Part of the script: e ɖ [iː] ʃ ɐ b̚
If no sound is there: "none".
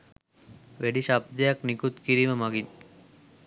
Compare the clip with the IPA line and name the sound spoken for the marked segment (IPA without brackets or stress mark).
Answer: i